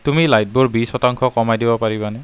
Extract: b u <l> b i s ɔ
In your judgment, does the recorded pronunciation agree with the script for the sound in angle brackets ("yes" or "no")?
no